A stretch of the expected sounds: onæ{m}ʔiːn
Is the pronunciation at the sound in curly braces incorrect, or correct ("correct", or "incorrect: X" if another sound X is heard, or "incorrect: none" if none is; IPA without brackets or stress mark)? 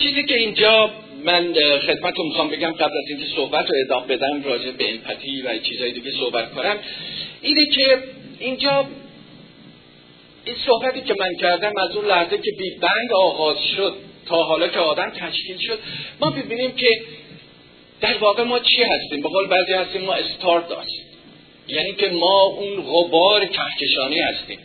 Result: correct